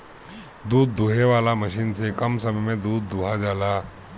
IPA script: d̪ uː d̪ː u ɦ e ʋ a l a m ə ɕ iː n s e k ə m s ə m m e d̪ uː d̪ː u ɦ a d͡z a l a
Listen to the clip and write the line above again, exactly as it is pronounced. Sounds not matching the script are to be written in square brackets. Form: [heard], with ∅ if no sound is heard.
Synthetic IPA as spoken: d̪ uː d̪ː u ɦ e ʋ a l a m ə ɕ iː n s e k ə m s ə m m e d̪ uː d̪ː u ɦ a d͡z a l a

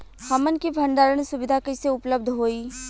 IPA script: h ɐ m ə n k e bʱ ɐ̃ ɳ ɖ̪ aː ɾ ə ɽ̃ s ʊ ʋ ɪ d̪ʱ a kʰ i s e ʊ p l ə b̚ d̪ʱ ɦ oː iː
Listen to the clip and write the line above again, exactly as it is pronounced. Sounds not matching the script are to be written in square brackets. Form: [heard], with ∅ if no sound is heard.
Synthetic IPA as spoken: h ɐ m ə n k [i] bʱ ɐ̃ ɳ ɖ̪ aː ɾ ə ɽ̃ s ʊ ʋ ɪ d̪ʱ a [k] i s e ʊ p l ə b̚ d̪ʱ ɦ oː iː

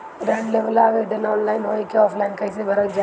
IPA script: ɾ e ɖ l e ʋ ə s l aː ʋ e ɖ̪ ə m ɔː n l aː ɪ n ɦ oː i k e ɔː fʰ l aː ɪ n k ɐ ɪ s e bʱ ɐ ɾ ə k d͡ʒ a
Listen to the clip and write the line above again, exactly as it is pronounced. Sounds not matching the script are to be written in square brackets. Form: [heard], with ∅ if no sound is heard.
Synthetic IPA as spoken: ɾ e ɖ l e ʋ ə [∅] l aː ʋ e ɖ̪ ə [n] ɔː n l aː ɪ n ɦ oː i k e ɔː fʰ l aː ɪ n k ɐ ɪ s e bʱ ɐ ɾ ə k d͡ʒ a

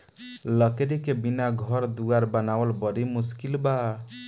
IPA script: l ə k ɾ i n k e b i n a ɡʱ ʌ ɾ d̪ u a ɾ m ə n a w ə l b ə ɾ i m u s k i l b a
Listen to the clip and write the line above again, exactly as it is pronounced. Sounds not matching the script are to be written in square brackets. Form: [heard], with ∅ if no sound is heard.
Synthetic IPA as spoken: l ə k ɾ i [∅] k e b i n a ɡʱ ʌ ɾ d̪ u a ɾ [b] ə n a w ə l b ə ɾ i m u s k i l b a

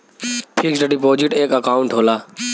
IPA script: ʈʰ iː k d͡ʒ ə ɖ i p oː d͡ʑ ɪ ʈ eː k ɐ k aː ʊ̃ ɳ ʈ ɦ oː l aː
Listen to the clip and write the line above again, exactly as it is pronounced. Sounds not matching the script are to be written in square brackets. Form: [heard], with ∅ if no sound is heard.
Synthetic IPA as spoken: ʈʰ iː k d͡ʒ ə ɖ i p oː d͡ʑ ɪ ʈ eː k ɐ k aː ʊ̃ ɳ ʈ ɦ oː l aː

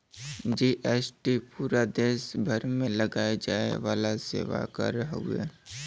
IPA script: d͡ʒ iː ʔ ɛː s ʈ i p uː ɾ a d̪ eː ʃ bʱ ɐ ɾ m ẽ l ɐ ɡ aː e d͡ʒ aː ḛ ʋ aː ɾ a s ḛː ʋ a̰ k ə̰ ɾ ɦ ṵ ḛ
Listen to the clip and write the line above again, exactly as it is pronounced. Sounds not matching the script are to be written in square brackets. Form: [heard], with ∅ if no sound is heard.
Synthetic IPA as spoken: d͡ʒ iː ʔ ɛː s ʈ i p uː ɾ a d̪ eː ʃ bʱ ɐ ɾ m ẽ l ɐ ɡ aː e d͡ʒ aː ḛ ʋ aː [l] a s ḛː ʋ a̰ k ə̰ ɾ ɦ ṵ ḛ

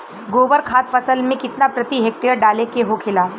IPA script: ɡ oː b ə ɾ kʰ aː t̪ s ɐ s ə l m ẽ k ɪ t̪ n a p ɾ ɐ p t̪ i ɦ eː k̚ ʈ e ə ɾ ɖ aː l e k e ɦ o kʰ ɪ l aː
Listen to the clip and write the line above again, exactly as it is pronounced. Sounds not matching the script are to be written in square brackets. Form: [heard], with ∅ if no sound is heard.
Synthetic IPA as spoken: ɡ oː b ə ɾ kʰ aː t̪ [f] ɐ s ə l m ẽ k ɪ t̪ n a p ɾ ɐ [∅] t̪ i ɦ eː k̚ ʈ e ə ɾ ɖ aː l e k e ɦ o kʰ ɪ l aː

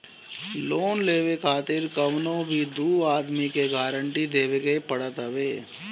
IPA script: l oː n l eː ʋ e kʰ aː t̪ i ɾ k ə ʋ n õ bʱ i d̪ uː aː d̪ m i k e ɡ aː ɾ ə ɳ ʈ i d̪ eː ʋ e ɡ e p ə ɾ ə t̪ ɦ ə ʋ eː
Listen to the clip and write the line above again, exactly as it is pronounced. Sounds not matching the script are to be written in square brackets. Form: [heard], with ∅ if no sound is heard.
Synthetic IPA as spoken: l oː n l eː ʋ e kʰ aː t̪ [ɪ] ɾ k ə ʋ n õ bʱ i d̪ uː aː d̪ m i k e ɡ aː ɾ ə ɳ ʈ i d̪ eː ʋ e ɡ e p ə [ɽ] ə t̪ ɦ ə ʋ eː

